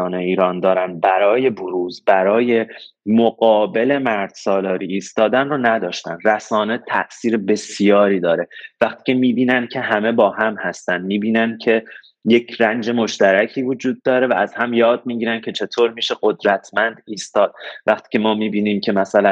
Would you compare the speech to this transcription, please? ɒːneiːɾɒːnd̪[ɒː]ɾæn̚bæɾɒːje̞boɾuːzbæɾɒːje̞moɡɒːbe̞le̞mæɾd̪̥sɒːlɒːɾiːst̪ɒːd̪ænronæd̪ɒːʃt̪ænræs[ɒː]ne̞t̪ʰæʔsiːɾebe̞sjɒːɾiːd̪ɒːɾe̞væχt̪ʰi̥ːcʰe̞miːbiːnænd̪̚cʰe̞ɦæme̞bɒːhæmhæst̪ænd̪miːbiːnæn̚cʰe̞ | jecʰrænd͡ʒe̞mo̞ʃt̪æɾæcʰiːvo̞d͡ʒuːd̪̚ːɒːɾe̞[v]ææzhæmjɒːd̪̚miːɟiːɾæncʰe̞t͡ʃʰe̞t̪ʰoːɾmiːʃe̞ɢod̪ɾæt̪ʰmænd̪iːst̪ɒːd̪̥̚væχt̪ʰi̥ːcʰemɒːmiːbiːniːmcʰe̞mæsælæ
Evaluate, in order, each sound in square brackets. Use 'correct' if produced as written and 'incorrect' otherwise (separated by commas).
correct, correct, correct